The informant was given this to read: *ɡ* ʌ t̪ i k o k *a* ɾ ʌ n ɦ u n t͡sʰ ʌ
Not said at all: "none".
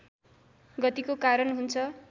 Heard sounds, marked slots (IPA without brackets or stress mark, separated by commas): ɡ, a